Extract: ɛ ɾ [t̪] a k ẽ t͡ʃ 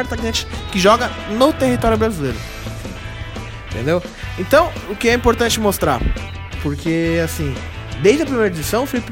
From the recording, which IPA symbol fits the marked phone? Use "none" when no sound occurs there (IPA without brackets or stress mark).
t̪